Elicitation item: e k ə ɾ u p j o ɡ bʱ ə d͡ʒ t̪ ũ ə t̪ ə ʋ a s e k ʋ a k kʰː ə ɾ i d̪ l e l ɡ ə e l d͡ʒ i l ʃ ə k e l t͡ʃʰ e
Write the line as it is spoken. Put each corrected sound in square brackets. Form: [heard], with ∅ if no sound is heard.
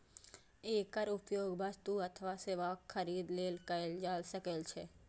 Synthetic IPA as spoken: e k ə ɾ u p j o ɡ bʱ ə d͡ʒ t̪ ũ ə [t̪ʰ] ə ʋ a s e [∅] ʋ a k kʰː ə ɾ i d̪ l e l [k] ə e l d͡ʒ [a] l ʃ ə k e l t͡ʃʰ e

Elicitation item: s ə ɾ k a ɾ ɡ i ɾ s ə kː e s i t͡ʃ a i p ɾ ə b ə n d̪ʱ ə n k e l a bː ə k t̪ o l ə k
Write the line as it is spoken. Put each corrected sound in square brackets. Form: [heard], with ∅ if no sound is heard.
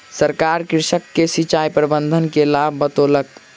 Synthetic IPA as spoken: s ə ɾ k a ɾ [k] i ɾ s ə kː e s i t͡ʃ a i p ɾ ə b ə n d̪ʱ ə n k e l a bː ə [∅] t̪ o l ə k

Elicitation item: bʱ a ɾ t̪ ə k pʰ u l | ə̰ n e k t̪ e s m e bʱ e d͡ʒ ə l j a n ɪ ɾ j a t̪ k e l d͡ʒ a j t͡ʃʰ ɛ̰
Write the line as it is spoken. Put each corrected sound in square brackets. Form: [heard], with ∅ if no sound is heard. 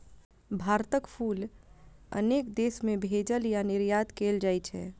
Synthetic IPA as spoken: bʱ a ɾ t̪ ə k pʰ u l | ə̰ n e k [d̪] e s m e bʱ e d͡ʒ ə l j a n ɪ ɾ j a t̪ k e l d͡ʒ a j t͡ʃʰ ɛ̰

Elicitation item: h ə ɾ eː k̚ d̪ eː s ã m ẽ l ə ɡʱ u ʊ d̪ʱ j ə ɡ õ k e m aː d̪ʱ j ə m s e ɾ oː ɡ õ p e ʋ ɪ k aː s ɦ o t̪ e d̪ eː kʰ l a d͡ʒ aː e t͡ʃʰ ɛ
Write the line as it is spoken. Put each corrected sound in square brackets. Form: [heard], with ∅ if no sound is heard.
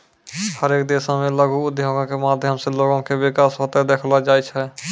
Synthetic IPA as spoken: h ə ɾ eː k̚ d̪ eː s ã m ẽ l ə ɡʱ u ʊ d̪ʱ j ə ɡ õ k e m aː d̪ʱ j ə m s e [l] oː ɡ õ [k] e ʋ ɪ k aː s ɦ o t̪ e d̪ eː kʰ l a d͡ʒ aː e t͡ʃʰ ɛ

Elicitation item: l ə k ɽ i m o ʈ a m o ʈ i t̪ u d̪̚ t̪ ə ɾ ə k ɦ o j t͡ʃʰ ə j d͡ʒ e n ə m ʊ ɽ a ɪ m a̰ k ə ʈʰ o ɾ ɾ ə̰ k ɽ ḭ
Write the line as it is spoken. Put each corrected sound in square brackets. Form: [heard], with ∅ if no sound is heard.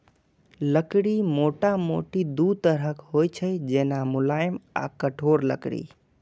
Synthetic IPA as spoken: l ə k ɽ i m o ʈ a m o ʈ i [d̪] u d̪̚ t̪ ə ɾ ə k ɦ o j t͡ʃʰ ə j d͡ʒ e n [a] m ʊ [l] a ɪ m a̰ k ə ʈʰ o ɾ [l] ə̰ k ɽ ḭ

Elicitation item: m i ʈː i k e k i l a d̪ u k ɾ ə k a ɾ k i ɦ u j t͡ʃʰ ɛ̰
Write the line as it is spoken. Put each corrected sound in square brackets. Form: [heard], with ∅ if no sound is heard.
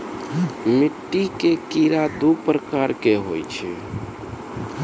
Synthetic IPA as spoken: m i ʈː i k e k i [ɾ] a d̪ u [p] ɾ ə k a ɾ k [e] ɦ [o] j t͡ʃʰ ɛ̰

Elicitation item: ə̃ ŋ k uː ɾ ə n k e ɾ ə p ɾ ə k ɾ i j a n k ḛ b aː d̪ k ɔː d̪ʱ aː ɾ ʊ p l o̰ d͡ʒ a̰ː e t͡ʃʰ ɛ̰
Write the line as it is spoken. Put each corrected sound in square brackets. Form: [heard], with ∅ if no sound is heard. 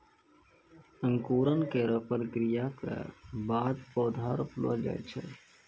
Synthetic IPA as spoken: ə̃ ŋ k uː ɾ ə n k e ɾ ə p ɾ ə k ɾ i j a [∅] k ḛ b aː d̪ [p] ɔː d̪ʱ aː ɾ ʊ p l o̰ d͡ʒ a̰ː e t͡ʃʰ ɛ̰

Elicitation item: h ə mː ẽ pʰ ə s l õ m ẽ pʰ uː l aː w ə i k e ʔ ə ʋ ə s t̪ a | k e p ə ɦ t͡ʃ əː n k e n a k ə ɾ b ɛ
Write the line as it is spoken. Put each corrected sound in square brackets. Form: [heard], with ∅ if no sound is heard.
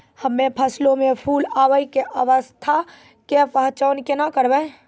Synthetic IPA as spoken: h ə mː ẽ pʰ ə s l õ m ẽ pʰ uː l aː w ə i k e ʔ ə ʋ ə s [t̪ʰ] a | k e p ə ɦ t͡ʃ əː n k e n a k ə ɾ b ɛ

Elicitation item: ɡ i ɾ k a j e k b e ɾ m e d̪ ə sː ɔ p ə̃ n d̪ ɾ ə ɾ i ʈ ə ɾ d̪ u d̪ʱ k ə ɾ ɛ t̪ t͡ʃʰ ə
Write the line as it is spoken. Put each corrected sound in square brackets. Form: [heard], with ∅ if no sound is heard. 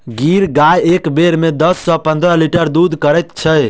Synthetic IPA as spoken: ɡ i ɾ [ɡ] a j e k b e ɾ m e d̪ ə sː ɔ p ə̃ n d̪ ɾ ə [l] i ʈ ə ɾ d̪ u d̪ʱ k ə ɾ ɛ t̪ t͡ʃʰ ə

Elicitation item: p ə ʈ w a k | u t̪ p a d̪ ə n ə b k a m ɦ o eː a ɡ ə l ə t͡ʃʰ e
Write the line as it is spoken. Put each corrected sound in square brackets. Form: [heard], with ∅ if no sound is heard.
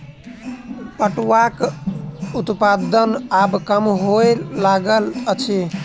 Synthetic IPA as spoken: p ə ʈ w a k | u t̪ p a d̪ ə n [a] b k [ə] m ɦ o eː a ɡ ə l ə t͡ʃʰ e

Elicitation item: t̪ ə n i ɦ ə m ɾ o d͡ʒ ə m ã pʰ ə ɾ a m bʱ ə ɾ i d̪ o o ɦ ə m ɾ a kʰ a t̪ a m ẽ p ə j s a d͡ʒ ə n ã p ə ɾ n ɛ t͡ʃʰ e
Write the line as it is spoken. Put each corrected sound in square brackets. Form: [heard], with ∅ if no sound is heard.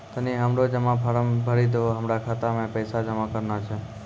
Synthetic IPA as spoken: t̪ ə n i ɦ ə m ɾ o d͡ʒ ə m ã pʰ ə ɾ [ə] m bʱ ə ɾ i d̪ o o ɦ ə m ɾ a kʰ a t̪ a m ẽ p ə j s a d͡ʒ ə [m] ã [k] ə ɾ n [a] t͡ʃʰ e

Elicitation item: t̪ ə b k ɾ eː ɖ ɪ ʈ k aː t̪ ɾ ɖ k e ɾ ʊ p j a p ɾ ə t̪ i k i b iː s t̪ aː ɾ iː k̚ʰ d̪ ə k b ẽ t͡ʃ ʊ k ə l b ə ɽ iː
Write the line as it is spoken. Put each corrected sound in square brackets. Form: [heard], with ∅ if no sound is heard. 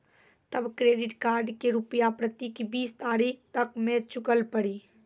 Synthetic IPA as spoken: t̪ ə b k ɾ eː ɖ ɪ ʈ k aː [∅] ɾ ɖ k e ɾ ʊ p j a p ɾ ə t̪ i k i b iː s t̪ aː ɾ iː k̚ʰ [t̪] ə k [m] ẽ t͡ʃ ʊ k ə l [p] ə ɽ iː

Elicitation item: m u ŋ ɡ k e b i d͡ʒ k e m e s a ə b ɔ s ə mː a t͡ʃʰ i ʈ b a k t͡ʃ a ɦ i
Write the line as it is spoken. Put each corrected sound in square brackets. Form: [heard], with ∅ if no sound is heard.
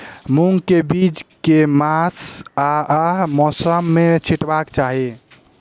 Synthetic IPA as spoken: m u ŋ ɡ k e b i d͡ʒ k e m [a] s a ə [m] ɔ s ə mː [e] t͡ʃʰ i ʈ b a k t͡ʃ a ɦ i

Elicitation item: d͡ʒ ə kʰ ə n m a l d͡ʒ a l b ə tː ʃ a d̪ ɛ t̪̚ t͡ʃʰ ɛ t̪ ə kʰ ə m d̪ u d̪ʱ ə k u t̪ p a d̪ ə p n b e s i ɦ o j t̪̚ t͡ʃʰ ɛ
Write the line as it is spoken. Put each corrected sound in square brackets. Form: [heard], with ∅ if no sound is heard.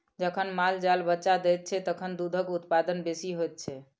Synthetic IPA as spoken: d͡ʒ ə kʰ ə n m a l d͡ʒ a l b ə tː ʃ a d̪ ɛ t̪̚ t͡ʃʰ ɛ t̪ ə kʰ ə [n] d̪ u d̪ʱ ə k u t̪ p a d̪ ə [∅] n b e s i ɦ o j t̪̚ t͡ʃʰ ɛ

